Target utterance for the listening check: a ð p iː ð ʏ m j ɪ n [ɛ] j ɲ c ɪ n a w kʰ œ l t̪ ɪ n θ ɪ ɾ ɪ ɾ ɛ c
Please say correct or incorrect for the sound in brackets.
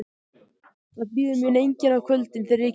incorrect